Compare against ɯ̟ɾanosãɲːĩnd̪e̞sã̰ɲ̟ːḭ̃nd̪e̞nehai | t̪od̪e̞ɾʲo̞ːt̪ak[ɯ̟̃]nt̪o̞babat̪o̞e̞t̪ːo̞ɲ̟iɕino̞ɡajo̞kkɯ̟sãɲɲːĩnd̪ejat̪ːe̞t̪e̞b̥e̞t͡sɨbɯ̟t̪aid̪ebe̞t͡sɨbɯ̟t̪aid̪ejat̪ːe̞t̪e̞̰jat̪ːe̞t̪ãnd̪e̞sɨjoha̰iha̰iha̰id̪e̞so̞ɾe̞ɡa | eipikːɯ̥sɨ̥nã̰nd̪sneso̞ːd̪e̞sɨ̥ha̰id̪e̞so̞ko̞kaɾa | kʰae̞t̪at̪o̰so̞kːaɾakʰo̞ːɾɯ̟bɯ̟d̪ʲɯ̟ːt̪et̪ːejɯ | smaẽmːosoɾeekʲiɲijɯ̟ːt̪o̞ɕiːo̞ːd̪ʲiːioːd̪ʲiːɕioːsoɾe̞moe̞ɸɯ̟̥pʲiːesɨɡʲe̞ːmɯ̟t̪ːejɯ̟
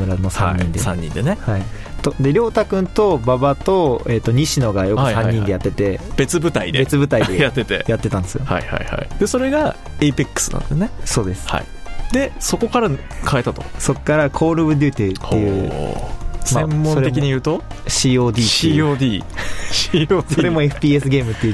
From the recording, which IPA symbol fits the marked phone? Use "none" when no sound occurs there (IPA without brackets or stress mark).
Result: ɯ̟̃